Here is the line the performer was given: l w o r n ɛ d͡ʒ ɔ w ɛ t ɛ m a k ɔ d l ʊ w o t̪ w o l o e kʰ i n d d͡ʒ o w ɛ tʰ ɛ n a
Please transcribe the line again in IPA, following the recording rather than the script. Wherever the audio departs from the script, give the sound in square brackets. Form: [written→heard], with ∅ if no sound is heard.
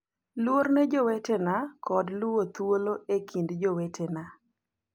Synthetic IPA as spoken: l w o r n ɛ d͡ʒ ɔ w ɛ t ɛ [m→n] a k ɔ d l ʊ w o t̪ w o l o e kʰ i n d d͡ʒ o w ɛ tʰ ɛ n a